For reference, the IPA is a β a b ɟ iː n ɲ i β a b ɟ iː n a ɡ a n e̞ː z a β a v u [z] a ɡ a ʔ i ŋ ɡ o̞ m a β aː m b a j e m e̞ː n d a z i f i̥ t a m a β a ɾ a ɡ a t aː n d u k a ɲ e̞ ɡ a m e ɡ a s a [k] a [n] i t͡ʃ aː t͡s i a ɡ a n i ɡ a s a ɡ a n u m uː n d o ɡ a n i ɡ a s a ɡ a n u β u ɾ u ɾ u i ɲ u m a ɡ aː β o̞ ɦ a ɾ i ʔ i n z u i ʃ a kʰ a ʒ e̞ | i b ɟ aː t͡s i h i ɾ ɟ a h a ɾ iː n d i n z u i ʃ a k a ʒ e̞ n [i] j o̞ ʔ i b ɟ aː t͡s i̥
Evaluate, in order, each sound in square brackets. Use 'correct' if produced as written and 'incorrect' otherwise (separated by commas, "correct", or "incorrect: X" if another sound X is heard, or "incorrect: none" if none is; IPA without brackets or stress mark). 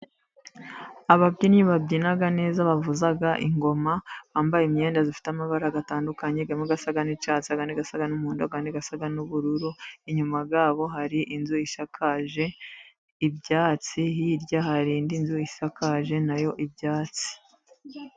correct, incorrect: ɡ, correct, incorrect: a